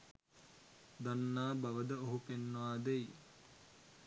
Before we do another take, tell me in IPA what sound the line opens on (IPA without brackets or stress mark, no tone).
d̪